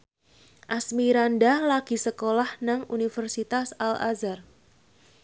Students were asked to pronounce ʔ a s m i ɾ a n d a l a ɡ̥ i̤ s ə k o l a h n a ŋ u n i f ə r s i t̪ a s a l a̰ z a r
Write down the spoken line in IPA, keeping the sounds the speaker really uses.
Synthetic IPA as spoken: ʔ a s m i ɾ a n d a l a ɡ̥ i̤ s ə k o l a h n a ŋ u n i f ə r s i t̪ a s a l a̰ z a r